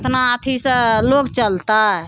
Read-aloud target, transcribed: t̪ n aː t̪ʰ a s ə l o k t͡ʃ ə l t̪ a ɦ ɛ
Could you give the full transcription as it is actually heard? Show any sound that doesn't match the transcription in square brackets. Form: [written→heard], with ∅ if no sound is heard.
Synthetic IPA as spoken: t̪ n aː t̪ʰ [a→i] s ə l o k t͡ʃ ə l t̪ a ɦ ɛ